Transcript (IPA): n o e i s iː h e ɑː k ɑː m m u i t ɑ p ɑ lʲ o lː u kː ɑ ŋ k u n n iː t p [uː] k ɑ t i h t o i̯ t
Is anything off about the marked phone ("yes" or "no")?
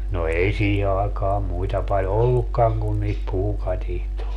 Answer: no